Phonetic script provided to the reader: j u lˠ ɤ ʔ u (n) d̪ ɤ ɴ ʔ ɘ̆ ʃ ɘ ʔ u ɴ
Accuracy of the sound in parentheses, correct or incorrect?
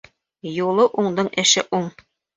incorrect